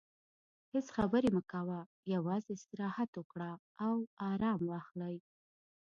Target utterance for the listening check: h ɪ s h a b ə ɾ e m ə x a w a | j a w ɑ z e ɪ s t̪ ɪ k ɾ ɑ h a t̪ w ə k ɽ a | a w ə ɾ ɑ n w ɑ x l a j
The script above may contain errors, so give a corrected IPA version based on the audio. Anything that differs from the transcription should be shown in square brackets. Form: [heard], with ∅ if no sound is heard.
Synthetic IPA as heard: h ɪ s [x] a b ə ɾ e m ə [k] a w a | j a w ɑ z e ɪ s t̪ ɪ [∅] ɾ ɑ h a t̪ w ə k ɽ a | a w [ɑ] ɾ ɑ [m] w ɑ x l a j